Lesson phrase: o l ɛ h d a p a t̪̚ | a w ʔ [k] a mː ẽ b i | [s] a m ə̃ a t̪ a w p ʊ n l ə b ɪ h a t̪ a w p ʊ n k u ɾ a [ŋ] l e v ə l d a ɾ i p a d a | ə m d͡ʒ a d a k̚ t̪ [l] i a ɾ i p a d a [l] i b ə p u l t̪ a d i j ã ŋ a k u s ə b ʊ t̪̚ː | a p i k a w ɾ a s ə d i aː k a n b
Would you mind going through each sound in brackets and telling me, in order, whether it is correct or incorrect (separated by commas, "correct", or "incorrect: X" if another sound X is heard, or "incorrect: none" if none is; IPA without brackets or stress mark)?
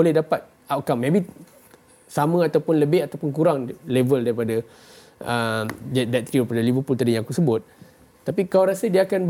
correct, correct, correct, incorrect: ɾ, correct